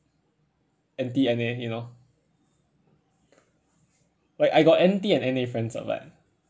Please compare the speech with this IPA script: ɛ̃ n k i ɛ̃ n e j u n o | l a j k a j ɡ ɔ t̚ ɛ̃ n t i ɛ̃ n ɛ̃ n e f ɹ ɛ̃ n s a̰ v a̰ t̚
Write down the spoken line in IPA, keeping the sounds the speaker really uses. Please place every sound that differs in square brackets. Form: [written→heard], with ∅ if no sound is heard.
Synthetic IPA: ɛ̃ n [k→t] i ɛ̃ n e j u n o | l a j k a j ɡ ɔ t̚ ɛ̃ n t i ɛ̃ n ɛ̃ n e f ɹ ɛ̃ n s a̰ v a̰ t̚